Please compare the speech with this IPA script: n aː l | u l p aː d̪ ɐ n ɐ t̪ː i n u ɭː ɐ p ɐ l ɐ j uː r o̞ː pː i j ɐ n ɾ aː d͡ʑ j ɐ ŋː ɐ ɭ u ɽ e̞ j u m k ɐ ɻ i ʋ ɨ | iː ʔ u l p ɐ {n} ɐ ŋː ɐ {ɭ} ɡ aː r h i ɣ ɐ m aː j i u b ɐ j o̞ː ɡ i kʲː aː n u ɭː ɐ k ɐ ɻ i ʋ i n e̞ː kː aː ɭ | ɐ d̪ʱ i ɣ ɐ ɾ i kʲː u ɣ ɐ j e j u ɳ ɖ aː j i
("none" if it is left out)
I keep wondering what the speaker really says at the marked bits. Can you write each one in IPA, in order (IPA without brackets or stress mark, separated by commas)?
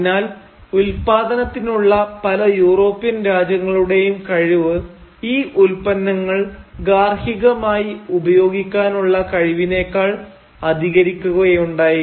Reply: nː, ɭ